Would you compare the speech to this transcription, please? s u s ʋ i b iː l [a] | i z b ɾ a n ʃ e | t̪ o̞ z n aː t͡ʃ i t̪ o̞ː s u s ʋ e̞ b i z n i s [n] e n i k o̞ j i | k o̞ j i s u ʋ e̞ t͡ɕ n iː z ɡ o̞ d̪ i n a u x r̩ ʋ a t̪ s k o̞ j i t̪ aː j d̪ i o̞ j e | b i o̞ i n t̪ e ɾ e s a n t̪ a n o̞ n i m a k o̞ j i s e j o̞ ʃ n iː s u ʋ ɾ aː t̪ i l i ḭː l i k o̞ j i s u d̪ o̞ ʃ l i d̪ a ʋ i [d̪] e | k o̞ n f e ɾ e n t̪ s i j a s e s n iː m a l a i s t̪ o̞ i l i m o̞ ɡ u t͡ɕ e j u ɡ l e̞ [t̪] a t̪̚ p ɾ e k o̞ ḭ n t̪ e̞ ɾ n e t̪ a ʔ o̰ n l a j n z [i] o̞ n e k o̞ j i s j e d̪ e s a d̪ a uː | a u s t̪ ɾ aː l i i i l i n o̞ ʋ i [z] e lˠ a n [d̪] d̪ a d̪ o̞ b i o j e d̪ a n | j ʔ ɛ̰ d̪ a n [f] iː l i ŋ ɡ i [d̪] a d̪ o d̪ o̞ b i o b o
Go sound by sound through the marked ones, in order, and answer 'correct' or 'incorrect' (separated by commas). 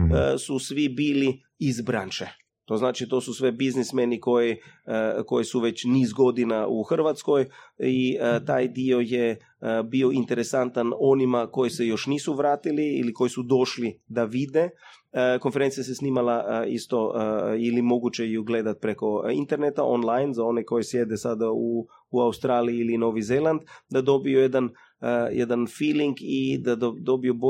incorrect, incorrect, correct, incorrect, incorrect, correct, correct, correct, correct